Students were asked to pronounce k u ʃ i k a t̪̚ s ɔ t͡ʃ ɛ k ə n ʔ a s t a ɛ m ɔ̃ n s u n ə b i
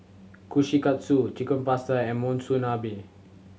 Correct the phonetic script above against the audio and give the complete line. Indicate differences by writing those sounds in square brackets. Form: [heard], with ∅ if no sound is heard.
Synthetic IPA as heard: k u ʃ i k a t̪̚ s [u] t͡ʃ [i] k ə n [p] a s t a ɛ m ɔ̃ n s u n [a] b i

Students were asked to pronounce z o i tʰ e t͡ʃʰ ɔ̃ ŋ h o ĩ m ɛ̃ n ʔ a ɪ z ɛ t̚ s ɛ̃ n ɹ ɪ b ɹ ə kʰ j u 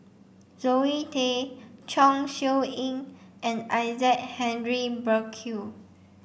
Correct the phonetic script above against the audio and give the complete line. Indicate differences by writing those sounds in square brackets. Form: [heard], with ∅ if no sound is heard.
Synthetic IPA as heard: z o i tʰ e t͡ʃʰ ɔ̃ ŋ [ʃ] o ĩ [ŋ] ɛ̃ n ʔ a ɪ z ɛ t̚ [h] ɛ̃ n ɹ [i] b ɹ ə kʰ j u

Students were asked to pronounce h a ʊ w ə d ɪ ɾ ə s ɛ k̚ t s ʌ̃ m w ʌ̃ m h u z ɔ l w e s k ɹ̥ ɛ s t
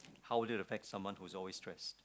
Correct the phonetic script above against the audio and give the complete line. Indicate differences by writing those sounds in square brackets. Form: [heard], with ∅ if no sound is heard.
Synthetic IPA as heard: h a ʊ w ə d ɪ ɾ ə [f] ɛ k̚ t s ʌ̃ m w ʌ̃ [n] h u z ɔ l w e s [t] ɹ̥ ɛ s t

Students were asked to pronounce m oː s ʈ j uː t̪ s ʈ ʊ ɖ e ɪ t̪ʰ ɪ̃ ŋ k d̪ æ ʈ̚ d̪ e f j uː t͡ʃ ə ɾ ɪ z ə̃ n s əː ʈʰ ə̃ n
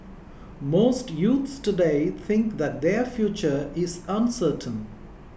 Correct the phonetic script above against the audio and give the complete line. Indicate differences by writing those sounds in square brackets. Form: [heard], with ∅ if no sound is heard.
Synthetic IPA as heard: m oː s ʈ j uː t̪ s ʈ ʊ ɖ e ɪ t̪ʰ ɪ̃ ŋ k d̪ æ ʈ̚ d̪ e f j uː t͡ʃ ə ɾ ɪ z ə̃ n s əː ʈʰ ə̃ n

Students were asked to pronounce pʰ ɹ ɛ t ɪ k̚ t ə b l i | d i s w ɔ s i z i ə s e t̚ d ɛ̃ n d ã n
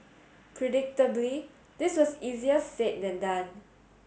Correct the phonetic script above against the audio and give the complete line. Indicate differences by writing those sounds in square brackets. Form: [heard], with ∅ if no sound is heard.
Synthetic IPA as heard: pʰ ɹ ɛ [d] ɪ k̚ t ə b l i | d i s w ɔ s i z i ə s e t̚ d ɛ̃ n d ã n

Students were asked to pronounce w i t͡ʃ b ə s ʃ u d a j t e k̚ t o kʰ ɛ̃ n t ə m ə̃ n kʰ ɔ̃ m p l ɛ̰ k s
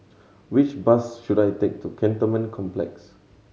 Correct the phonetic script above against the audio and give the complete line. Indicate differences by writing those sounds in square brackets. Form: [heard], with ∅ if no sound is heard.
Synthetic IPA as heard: w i t͡ʃ b [a] s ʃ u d a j t e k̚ t [u] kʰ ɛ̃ n t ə m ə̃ n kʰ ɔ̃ m p l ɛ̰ k s

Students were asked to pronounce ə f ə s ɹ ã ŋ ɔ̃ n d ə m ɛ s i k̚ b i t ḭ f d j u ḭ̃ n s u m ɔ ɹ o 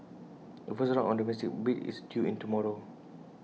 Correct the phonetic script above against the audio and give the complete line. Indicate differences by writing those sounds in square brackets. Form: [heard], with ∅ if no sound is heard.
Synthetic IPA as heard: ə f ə s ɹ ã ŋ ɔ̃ n d ə m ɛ s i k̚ b i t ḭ [s] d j u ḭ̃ n [t] u m ɔ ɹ o

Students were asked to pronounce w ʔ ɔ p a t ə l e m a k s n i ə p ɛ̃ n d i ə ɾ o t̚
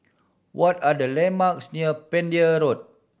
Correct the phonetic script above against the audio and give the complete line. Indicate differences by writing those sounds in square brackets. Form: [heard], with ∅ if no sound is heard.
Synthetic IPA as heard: w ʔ ɔ [t] a [d] ə l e m a k s n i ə p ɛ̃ n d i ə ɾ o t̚

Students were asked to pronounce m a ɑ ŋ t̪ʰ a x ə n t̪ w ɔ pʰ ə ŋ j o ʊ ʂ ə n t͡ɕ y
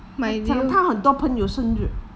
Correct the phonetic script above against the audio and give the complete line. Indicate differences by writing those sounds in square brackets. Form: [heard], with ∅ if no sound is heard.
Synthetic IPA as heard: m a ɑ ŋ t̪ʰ a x ə n t̪ w ɔ pʰ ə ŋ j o ʊ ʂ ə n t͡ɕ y

